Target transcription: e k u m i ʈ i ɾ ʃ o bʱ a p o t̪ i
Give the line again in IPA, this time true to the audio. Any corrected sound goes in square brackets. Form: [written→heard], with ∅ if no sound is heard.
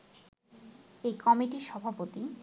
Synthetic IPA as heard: e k [u→ɔ] m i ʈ i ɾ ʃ [o→ɔ] bʱ a p o t̪ i